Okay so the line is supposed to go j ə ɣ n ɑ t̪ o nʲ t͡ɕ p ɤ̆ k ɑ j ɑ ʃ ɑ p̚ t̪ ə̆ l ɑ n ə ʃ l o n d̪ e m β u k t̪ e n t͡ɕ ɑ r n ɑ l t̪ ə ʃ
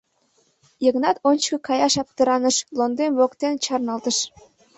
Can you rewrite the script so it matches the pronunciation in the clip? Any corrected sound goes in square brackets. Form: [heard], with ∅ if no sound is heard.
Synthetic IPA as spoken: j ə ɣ n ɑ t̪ o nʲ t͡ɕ [k] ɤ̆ k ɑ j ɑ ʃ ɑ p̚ t̪ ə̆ [ɾ] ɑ n ə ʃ l o n d̪ e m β [o] k t̪ e n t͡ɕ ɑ r n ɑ l t̪ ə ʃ